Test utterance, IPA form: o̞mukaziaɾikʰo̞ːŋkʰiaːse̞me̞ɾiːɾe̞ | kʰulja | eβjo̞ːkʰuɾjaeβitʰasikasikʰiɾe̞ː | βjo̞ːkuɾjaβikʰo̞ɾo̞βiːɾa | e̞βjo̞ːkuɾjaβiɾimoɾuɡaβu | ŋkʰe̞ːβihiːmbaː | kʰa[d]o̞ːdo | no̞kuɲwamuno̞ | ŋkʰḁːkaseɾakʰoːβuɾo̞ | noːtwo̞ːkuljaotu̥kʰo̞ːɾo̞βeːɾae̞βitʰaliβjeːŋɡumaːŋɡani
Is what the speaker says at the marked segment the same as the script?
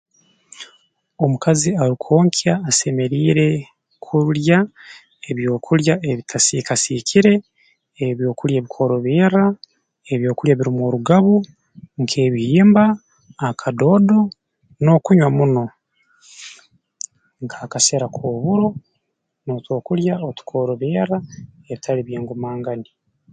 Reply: yes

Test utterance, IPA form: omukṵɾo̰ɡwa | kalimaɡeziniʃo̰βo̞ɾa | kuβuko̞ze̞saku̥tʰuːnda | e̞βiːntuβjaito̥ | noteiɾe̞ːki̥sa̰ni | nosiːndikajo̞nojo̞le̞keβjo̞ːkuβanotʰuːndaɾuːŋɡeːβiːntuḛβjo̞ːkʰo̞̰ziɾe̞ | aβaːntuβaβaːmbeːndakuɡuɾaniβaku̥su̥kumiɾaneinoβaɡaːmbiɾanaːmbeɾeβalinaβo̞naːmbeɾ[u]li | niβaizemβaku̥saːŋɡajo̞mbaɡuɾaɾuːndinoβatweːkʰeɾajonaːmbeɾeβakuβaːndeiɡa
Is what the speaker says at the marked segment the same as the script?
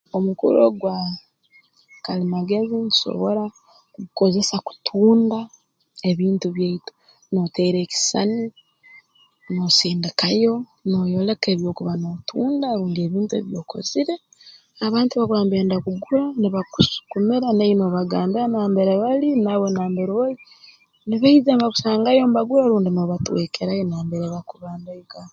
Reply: no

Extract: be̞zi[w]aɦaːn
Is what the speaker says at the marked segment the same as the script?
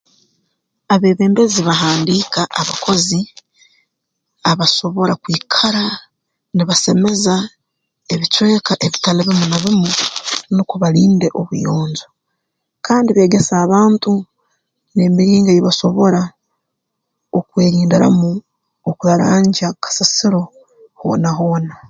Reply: no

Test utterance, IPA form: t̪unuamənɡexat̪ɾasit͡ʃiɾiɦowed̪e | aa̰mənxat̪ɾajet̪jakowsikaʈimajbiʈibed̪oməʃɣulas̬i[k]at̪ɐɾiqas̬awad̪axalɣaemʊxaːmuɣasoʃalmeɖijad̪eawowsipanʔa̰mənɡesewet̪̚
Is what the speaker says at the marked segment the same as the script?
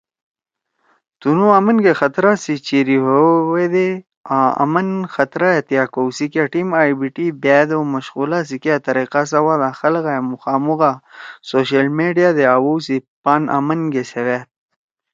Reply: yes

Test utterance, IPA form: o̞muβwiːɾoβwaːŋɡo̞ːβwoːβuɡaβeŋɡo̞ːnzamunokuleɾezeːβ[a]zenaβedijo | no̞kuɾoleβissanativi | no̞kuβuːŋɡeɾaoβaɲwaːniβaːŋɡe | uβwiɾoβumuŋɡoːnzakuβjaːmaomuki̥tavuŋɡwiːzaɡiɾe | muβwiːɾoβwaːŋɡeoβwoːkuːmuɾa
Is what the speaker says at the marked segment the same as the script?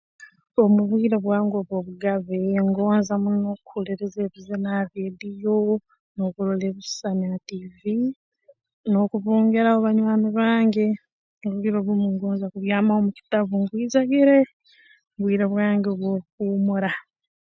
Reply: no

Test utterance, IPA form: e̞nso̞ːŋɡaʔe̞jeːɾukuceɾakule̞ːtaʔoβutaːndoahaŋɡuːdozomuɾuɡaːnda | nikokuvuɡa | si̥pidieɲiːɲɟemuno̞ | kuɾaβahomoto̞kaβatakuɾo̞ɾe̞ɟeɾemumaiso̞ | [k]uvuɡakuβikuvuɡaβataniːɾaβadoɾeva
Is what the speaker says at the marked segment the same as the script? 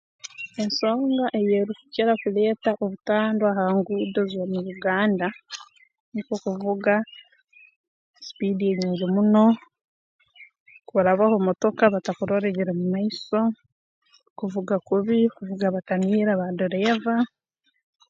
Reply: yes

